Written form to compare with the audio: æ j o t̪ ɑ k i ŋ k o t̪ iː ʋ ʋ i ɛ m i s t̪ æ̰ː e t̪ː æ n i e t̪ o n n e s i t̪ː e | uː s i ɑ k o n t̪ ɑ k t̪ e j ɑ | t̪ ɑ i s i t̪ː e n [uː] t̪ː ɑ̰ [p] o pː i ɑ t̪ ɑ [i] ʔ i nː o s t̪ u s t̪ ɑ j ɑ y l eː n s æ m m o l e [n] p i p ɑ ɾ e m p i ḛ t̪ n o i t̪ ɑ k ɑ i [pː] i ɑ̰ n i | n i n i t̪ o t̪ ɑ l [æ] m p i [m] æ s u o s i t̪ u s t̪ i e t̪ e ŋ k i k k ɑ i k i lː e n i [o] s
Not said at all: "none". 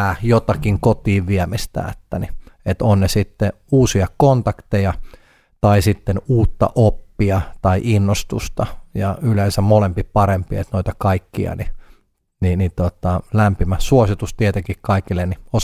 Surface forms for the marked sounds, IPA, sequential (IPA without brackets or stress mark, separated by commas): uː, ʔ, i, m, kː, æ, m, o